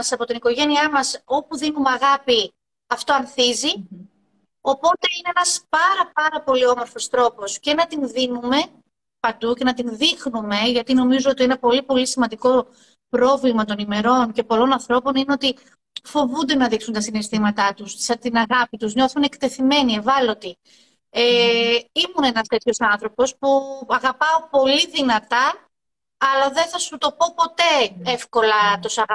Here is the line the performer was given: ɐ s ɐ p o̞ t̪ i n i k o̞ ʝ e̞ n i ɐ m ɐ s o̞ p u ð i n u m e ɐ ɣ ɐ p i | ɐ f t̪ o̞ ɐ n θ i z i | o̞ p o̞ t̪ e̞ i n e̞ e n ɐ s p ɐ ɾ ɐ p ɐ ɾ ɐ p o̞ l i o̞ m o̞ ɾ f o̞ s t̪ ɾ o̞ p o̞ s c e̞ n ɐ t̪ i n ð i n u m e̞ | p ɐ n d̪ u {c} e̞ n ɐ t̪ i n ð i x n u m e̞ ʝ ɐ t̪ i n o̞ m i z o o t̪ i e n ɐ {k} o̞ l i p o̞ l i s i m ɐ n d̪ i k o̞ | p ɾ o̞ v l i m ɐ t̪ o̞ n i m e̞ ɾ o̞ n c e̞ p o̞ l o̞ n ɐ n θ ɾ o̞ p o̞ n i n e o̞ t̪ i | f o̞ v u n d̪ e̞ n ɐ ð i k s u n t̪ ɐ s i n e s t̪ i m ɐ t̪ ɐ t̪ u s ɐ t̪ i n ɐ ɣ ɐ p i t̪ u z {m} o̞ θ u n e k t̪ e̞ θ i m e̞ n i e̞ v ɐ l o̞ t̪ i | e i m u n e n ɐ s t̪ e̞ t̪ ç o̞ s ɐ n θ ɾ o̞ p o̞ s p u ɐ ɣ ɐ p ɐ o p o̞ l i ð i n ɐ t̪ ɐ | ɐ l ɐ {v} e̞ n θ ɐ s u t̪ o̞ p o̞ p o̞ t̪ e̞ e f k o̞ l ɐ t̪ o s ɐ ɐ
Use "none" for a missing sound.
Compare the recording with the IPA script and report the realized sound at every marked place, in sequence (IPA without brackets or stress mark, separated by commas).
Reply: c, p, ɲ, ð